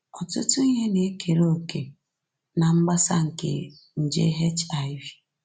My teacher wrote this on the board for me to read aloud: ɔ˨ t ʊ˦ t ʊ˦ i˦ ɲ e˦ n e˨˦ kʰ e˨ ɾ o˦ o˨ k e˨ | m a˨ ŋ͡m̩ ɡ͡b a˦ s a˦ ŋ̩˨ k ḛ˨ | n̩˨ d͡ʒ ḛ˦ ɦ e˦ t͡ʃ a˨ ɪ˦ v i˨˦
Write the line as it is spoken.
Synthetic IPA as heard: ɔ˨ t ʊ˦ t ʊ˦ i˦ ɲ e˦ n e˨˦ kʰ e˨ ɾ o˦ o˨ k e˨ | n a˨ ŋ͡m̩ ɡ͡b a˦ s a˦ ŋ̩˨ k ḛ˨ | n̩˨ d͡ʒ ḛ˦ ɦ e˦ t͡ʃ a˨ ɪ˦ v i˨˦